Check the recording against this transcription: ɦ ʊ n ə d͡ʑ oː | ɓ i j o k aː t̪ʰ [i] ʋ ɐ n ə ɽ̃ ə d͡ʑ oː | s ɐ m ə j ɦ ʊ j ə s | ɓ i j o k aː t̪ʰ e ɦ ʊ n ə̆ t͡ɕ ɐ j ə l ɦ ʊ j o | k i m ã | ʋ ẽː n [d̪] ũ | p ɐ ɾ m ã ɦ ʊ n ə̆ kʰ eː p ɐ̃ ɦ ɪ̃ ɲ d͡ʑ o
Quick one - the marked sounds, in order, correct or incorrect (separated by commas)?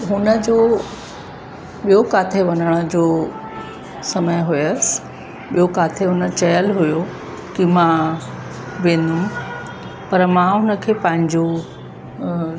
incorrect, correct